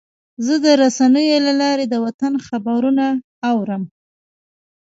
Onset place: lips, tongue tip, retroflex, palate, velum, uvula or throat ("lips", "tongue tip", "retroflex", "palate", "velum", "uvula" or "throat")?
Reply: tongue tip